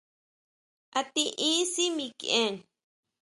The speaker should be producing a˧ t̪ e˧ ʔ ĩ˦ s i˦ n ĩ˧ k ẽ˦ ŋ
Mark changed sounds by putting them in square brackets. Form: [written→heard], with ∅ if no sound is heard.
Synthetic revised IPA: a˧ t̪ [e˧→i˧] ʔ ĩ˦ s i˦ [n→m] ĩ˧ k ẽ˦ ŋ

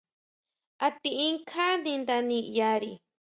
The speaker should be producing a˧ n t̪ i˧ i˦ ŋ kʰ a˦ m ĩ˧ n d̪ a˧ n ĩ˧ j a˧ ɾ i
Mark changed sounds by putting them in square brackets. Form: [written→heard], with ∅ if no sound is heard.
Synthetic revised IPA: a˧ [n→∅] t̪ i˧ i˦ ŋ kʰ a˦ [m→n] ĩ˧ n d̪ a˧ n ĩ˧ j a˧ ɾ i

